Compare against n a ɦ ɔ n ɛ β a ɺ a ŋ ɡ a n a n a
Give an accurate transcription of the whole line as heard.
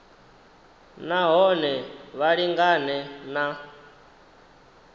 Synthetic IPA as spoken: n a ɦ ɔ n ɛ β a ɺ i ŋ ɡ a n ɛ n a

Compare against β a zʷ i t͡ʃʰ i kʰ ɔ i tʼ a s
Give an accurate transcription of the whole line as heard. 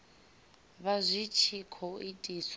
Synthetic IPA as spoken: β a zʷ i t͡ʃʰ i kʰ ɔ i tʼ i s

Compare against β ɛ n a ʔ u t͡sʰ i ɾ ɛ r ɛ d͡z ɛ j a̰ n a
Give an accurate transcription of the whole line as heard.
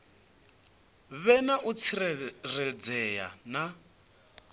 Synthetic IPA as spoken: β ɛ n a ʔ u t͡sʰ i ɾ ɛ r ɛ d͡z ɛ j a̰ n a

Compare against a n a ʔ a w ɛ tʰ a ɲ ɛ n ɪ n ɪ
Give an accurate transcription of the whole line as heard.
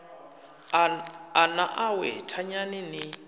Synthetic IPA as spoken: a n a ʔ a w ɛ tʰ a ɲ a n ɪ n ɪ

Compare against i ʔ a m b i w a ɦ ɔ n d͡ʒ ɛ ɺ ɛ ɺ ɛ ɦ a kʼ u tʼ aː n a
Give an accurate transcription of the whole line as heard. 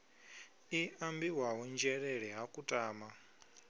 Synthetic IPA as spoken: i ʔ a m b i w a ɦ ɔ n d͡ʒ ɛ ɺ ɛ ɺ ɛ ɦ a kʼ u tʼ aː m a

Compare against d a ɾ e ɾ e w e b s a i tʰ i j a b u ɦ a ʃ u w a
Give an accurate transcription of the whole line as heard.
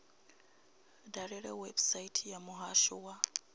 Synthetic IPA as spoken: d a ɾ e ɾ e w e b s a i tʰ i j a m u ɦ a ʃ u w a

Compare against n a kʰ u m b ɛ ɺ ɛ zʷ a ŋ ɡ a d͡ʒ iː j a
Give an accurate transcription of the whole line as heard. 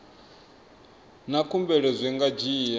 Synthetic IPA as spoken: n a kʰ u m b ɛ ɺ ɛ zʷ ɛ ŋ ɡ a d͡ʒ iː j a

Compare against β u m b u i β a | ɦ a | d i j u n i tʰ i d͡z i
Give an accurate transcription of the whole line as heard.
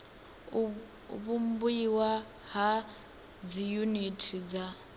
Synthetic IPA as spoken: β u m b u i w a | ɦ a | d͡z i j u n i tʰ i d͡z a

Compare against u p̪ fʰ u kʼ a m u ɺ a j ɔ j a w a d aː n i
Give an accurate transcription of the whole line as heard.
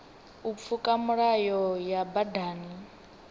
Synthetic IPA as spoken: u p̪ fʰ u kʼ a m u ɺ a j ɔ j a b a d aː n i

